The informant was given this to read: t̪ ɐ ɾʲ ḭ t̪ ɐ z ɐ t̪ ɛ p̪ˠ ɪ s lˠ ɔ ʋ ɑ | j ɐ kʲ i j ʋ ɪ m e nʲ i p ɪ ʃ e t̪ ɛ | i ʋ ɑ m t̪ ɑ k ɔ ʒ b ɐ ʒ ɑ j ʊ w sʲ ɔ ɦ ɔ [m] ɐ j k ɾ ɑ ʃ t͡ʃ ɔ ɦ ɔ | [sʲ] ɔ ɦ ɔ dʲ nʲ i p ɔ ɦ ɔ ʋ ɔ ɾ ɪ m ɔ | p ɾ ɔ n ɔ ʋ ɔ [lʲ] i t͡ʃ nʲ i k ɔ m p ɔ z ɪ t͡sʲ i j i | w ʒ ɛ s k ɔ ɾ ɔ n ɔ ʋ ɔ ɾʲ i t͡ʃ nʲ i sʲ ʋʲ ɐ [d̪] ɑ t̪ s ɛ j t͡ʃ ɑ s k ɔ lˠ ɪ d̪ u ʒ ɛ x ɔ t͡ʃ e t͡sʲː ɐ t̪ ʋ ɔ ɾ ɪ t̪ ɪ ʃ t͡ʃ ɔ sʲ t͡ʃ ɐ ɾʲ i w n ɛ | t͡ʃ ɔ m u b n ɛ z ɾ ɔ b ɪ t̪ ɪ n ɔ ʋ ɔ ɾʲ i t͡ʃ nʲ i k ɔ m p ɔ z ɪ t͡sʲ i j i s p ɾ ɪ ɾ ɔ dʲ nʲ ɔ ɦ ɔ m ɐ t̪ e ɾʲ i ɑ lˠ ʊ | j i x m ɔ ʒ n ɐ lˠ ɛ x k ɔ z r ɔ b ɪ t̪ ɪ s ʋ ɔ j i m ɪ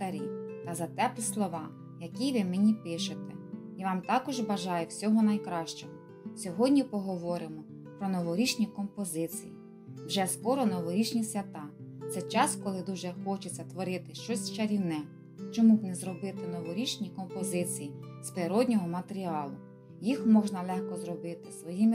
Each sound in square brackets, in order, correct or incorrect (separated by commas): incorrect, correct, incorrect, incorrect